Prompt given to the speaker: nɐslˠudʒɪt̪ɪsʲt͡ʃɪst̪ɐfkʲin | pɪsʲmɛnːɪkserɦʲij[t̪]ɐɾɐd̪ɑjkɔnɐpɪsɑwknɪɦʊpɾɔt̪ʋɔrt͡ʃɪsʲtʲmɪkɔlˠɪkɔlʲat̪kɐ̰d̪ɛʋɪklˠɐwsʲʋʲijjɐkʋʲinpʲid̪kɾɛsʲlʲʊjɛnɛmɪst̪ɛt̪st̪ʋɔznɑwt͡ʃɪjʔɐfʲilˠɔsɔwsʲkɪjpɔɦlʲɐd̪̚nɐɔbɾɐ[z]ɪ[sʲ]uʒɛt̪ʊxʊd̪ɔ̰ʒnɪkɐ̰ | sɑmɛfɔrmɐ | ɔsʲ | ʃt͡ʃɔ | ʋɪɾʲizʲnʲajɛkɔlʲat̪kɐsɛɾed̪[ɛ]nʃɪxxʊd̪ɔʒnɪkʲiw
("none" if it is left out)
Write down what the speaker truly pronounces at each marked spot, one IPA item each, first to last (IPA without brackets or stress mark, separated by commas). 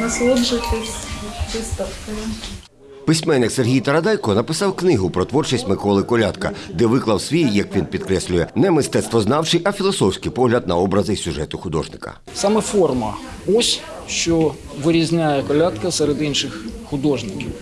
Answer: t̪, z, sʲ, i